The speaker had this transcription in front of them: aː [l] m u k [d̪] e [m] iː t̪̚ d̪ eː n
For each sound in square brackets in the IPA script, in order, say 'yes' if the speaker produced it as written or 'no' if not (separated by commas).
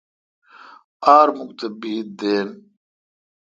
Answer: no, no, no